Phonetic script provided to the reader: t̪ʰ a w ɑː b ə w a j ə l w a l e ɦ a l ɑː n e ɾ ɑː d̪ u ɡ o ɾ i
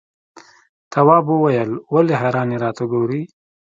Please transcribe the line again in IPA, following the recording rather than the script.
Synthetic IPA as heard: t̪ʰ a w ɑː b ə w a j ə l w a l e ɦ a ɾ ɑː n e ɾ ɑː t̪ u ɡ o ɾ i